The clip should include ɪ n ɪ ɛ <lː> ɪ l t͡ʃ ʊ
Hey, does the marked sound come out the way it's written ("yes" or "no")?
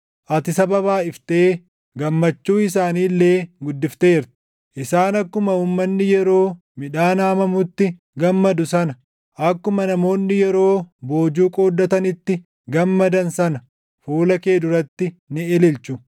no